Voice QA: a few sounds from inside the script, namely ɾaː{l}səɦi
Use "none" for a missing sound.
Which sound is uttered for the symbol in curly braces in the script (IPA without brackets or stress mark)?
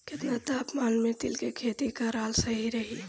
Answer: l